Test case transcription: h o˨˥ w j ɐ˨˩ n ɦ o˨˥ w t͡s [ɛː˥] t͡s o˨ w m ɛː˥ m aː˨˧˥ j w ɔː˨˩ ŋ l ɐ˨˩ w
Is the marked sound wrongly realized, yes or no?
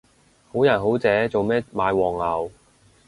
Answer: yes